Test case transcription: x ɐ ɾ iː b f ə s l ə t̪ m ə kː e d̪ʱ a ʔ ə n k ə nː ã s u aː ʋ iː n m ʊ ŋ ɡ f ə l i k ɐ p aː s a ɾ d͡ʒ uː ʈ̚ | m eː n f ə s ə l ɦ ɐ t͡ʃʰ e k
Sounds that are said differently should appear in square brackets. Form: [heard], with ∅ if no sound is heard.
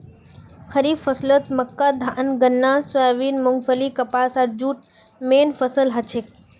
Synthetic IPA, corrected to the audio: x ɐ ɾ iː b f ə s l ə t̪ m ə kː [a] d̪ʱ a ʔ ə n [ɡ] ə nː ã s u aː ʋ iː n m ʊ ŋ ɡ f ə l i k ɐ p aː s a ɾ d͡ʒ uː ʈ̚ | m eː n f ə s ə l ɦ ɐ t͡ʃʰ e k